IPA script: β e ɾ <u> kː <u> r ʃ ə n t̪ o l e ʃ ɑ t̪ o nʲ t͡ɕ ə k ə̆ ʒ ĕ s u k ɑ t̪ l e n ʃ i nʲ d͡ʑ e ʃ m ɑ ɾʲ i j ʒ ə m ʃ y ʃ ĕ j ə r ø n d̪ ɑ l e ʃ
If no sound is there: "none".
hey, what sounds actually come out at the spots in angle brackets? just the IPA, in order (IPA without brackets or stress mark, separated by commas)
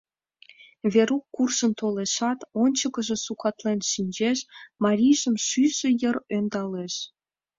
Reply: u, u